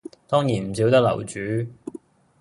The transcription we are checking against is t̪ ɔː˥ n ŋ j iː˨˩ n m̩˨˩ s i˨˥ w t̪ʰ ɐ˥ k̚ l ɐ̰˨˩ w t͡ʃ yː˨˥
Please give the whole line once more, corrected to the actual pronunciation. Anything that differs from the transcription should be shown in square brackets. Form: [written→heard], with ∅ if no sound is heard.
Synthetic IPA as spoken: t̪ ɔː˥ [n→∅] ŋ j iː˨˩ n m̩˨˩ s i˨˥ w [t̪ʰ→t̪] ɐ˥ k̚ l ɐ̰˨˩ w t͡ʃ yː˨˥